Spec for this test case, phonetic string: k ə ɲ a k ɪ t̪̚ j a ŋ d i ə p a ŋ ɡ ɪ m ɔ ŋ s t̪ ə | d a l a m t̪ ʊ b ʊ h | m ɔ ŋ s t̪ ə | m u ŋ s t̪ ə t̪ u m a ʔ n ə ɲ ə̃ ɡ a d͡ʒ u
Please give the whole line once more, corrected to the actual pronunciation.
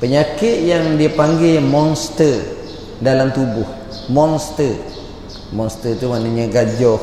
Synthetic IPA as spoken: p ə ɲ a k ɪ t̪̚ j a ŋ d i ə p a ŋ ɡ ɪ m ɔ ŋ s t̪ ə | d a l a m t̪ u b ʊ h | m ɔ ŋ s t̪ ə | m ɔ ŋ s t̪ ə t̪ u m a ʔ n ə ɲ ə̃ ɡ a d͡ʒ ɔ